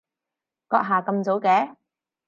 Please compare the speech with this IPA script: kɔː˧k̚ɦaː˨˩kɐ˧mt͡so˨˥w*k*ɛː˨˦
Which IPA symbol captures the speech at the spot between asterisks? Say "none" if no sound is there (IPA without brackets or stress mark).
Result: k